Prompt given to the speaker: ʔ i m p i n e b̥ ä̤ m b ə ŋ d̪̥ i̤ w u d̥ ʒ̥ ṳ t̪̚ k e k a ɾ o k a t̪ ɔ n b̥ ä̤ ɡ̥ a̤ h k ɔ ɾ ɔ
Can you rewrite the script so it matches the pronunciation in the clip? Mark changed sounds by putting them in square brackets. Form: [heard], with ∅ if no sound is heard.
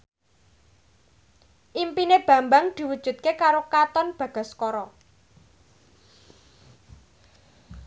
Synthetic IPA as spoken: ʔ i m p i n e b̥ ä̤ m b [a] ŋ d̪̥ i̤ w u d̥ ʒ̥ ṳ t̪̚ k e k a ɾ o k a t̪ ɔ n b̥ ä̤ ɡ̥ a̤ [s] k ɔ ɾ ɔ